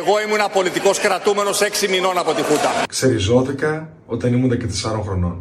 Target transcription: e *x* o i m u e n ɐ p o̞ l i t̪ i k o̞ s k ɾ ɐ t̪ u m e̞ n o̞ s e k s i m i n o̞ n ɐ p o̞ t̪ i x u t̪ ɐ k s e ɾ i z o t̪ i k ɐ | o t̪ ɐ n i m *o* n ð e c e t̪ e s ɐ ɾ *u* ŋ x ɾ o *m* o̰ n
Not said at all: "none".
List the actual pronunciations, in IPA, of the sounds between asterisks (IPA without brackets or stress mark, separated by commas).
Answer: ɣ, u, o, n